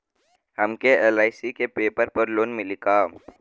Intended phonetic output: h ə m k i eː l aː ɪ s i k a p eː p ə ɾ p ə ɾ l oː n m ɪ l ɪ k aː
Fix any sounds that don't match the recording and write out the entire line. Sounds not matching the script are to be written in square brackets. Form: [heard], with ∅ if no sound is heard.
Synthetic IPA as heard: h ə m k [e] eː l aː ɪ s i k [e] p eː p ə ɾ p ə ɾ l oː n m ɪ l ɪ k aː